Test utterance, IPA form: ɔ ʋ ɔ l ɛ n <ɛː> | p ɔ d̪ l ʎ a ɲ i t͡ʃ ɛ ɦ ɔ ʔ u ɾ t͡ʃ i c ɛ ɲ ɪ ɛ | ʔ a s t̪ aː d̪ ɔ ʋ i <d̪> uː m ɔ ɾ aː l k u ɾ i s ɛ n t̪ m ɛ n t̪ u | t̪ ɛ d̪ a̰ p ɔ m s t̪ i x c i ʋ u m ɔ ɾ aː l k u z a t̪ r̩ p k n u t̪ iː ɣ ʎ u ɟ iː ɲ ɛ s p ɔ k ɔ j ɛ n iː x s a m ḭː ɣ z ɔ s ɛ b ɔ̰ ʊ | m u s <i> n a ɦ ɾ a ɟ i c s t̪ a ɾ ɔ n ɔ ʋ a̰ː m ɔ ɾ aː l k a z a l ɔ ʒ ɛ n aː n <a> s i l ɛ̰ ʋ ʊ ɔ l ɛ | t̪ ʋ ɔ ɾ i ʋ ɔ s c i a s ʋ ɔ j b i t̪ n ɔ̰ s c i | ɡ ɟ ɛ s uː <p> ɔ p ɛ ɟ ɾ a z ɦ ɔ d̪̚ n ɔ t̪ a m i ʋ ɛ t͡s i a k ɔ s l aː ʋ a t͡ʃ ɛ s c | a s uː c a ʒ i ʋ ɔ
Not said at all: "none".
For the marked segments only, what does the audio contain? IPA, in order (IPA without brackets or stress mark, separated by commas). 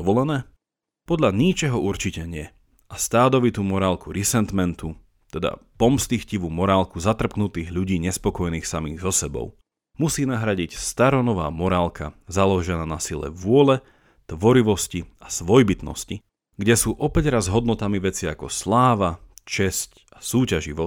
ɛː, t̪, iː, a, ʔ